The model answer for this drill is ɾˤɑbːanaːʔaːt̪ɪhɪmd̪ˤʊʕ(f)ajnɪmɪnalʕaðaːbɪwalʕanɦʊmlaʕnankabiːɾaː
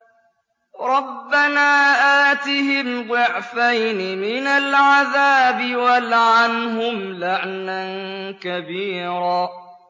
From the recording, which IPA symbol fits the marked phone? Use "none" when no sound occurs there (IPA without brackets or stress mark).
f